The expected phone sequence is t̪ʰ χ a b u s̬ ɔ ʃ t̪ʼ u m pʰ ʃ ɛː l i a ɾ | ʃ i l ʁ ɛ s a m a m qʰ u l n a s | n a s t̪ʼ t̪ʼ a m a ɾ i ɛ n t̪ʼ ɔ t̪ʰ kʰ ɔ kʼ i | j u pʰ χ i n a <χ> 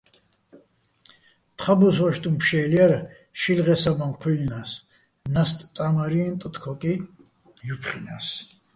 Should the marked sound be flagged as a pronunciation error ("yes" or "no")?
yes